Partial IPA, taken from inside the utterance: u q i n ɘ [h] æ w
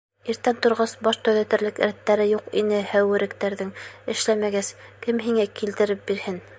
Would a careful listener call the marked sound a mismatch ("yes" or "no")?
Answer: no